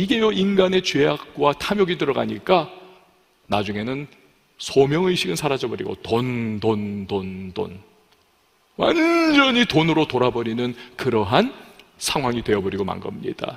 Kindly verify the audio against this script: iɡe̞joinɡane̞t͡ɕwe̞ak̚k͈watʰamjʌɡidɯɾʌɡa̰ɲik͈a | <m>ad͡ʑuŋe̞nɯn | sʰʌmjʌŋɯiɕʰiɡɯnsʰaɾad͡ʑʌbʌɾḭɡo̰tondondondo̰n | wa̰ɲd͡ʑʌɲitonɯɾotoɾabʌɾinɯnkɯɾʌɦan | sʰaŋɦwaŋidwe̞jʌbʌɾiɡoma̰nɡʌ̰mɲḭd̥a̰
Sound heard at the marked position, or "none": n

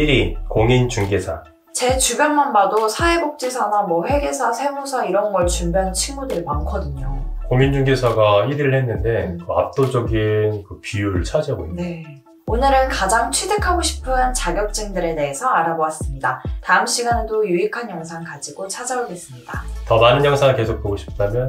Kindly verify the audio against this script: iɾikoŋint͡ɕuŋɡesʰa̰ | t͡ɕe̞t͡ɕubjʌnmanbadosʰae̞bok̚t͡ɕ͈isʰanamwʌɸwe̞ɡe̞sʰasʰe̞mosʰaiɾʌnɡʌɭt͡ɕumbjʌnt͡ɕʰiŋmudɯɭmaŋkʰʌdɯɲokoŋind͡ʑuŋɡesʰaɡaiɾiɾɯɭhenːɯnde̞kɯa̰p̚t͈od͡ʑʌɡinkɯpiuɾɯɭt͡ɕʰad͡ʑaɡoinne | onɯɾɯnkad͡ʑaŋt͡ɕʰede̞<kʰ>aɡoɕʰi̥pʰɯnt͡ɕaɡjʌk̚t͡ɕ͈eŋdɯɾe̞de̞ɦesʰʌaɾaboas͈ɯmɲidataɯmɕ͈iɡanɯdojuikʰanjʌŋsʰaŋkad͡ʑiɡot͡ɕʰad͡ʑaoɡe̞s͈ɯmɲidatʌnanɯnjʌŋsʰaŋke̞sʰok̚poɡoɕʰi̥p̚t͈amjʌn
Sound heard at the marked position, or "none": kʰ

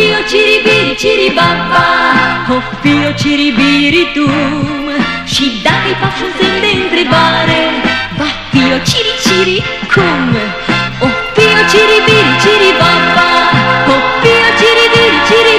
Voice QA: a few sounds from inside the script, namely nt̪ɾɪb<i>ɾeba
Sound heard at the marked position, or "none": a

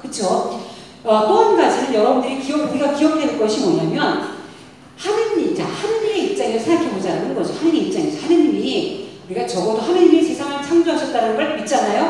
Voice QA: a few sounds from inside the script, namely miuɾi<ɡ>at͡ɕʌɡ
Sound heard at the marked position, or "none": ɡ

